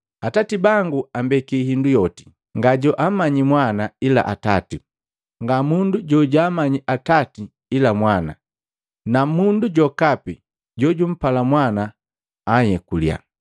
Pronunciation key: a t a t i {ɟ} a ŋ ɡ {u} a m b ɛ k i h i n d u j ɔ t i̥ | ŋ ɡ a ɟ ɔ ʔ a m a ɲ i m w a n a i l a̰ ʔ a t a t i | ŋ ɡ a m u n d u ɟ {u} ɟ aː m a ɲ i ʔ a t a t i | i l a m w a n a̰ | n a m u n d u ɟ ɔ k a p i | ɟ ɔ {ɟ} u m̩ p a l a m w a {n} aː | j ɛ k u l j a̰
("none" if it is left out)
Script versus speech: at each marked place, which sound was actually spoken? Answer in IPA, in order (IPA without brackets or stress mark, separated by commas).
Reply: b, u, ɔ, ɟ, n